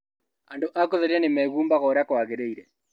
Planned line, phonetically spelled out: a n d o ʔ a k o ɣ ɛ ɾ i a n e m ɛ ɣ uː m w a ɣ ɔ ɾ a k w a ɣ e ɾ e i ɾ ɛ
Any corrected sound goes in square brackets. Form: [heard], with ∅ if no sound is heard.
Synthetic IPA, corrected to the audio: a n d o ʔ a k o [ð] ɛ ɾ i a n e m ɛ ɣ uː m [b] a ɣ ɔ ɾ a k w a ɣ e ɾ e i ɾ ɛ